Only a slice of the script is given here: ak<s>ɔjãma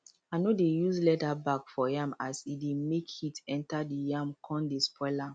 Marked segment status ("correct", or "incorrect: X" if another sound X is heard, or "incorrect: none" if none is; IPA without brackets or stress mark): incorrect: f